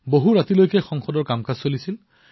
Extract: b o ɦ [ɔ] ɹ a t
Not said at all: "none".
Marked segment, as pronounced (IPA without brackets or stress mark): u